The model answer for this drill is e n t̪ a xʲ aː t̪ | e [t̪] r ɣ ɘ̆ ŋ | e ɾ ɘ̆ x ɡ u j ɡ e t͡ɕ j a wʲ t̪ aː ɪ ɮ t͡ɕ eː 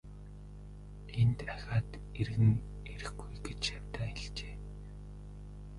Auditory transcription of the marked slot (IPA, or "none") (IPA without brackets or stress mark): none